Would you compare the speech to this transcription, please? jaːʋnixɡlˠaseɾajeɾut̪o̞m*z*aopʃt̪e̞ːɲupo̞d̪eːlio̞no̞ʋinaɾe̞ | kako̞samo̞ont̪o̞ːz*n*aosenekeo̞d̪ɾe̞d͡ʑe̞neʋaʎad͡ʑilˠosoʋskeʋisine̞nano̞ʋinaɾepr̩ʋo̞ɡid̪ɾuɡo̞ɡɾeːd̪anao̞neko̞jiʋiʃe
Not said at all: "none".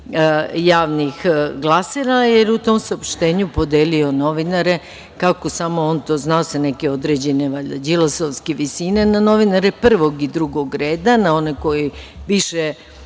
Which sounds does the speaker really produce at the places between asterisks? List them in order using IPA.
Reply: s, n

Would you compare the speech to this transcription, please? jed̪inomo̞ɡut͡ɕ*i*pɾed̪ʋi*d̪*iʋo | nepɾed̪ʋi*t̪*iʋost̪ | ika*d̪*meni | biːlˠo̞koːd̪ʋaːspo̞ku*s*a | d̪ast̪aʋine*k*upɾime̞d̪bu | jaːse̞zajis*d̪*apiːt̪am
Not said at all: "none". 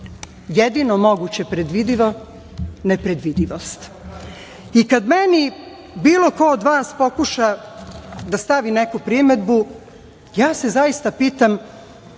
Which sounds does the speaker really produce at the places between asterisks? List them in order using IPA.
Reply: e, d̪, d̪, d̪, ʃ, k, t̪

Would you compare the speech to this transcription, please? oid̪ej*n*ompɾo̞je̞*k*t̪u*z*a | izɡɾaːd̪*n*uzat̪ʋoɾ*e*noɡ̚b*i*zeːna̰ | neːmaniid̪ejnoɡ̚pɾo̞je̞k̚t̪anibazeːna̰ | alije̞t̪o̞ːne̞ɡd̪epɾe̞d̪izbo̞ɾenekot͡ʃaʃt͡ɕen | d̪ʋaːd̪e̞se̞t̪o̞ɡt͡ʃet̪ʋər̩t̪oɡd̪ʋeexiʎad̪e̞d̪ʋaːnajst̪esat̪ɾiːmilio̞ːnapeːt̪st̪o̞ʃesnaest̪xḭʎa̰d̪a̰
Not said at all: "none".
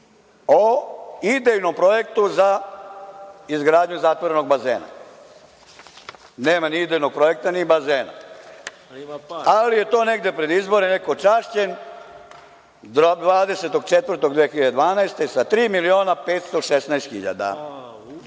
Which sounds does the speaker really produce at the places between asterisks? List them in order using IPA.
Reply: n, k, z, ɲ, e, a

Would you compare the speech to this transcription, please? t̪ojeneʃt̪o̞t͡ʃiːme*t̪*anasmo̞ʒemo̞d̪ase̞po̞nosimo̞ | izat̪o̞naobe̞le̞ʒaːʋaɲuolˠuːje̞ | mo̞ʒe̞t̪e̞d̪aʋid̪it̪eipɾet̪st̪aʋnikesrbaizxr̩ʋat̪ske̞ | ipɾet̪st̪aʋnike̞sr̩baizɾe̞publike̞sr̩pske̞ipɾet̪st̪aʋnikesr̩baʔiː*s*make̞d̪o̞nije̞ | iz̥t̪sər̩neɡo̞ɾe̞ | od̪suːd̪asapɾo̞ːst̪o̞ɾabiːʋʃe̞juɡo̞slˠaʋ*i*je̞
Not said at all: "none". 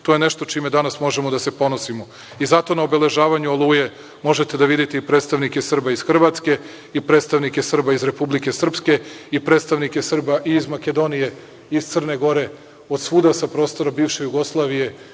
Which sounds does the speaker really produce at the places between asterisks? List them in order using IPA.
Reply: d̪, z, i

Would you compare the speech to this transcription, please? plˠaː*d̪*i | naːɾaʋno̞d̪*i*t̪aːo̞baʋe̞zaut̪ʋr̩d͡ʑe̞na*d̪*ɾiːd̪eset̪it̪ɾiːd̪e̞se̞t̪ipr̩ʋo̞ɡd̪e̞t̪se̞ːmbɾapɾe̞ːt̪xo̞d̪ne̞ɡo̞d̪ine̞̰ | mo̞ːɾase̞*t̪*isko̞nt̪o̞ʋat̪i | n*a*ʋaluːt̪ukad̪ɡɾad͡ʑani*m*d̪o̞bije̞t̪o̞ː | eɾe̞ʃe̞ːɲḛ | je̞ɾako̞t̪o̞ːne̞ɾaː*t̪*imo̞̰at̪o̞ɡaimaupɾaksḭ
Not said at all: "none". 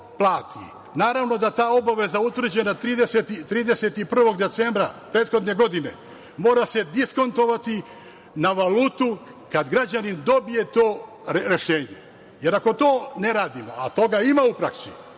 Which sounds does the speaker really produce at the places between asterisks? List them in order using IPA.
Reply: t̪, a, t̪, d̪, a, n, d̪

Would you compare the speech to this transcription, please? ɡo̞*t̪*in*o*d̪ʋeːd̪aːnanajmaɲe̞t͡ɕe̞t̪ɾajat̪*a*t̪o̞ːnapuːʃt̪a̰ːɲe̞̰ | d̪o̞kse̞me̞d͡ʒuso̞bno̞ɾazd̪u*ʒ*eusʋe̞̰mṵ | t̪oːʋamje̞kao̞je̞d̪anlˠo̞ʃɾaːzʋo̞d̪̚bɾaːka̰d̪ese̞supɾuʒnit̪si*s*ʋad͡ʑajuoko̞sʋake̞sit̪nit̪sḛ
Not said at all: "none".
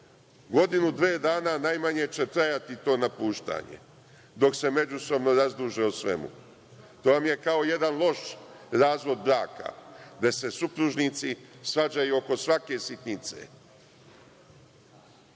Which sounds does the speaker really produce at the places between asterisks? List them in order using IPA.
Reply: d̪, u, i, ʒ, s

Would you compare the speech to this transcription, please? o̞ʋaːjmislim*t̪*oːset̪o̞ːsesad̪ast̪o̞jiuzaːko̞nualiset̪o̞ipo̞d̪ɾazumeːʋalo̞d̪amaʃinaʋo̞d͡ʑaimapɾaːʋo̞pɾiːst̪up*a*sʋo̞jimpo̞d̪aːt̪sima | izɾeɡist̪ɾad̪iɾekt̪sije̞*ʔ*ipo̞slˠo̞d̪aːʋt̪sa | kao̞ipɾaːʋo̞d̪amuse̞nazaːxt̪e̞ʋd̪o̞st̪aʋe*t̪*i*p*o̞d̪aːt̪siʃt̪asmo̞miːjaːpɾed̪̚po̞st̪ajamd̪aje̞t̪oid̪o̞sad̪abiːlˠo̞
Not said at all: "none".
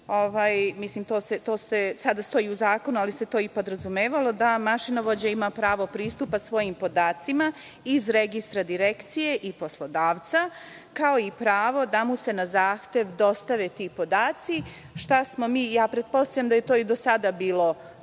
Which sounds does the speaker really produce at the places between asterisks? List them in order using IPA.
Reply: t̪, a, ʔ, t̪, p

